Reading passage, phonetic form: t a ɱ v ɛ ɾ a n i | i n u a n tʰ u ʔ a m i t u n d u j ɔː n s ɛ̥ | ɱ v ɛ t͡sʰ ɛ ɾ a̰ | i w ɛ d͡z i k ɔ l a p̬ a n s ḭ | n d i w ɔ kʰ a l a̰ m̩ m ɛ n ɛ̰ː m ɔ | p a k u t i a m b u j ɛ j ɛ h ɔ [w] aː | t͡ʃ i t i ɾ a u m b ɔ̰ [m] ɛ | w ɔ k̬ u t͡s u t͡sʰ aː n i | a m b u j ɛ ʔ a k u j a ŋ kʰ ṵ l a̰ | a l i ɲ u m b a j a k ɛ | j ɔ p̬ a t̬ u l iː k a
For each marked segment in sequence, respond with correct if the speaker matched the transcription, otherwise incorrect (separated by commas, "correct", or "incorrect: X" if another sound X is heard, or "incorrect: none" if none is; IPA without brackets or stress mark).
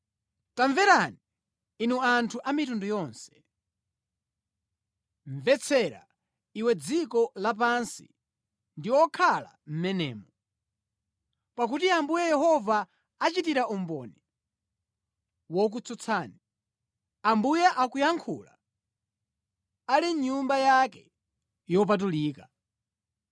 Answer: incorrect: v, incorrect: n